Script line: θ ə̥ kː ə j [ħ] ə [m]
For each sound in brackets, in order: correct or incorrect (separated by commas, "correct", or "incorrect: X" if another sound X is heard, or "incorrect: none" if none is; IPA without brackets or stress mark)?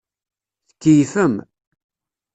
incorrect: f, correct